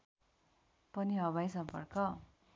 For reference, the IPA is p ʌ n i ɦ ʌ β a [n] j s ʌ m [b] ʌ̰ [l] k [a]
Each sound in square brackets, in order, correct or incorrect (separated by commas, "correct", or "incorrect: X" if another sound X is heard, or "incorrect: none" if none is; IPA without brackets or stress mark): incorrect: none, incorrect: p, incorrect: r, incorrect: ʌ